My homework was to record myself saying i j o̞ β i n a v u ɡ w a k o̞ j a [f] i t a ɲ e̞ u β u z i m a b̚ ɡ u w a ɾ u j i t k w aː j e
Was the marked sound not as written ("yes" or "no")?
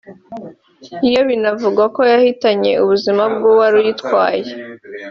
yes